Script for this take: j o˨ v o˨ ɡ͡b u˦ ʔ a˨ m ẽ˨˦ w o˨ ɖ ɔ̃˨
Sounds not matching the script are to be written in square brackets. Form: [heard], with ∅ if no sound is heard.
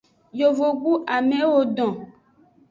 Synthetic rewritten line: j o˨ v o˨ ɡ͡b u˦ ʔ a˨ m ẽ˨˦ w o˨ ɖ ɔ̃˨